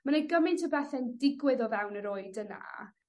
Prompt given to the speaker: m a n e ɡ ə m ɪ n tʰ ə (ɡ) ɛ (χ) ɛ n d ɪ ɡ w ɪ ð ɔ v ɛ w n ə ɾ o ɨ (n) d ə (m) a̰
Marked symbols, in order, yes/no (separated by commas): no, no, no, no